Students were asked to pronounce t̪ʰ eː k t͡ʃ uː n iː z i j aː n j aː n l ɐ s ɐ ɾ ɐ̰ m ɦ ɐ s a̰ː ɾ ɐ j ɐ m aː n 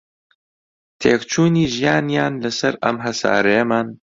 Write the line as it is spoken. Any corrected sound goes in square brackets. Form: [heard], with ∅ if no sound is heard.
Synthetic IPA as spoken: t̪ʰ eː k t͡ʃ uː n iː [ʒ] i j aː n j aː n l ɐ s ɐ ɾ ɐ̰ m ɦ ɐ s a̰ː ɾ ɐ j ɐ m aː n